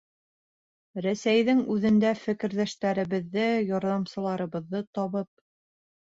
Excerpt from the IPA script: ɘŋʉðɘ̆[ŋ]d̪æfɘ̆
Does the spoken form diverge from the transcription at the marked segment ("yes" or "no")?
yes